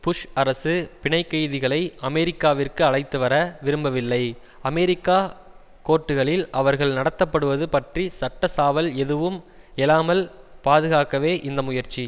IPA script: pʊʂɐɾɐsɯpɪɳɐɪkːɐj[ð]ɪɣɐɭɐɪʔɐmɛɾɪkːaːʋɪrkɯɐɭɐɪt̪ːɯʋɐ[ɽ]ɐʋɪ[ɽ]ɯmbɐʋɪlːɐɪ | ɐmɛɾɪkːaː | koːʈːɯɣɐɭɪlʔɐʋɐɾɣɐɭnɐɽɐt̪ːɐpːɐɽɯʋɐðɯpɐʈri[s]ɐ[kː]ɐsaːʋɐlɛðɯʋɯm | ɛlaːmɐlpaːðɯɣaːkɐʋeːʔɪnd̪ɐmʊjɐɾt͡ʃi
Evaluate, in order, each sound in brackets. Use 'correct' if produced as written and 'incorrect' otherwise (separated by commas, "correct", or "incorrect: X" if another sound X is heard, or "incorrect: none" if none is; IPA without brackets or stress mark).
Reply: correct, incorrect: ɾ, incorrect: ɾ, correct, incorrect: ʈː